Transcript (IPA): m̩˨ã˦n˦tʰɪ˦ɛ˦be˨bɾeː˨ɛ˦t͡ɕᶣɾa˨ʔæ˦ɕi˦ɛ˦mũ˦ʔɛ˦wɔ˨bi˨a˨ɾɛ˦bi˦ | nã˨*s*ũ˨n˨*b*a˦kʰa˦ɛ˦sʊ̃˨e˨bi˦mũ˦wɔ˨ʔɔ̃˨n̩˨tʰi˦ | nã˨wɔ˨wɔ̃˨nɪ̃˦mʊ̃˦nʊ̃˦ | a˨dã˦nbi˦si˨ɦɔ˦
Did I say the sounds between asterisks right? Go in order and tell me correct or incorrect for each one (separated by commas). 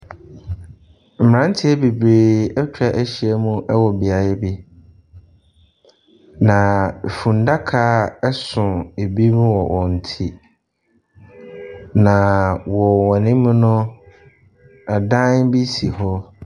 incorrect, incorrect